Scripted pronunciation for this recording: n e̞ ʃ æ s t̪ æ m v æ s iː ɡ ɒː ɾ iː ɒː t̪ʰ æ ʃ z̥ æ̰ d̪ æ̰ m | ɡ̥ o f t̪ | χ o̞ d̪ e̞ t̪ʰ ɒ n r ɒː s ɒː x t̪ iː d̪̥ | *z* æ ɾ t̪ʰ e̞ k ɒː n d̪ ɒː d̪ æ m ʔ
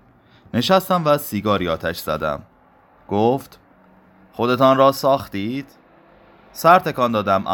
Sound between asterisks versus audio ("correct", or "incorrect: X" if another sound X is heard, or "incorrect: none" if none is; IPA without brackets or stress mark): incorrect: s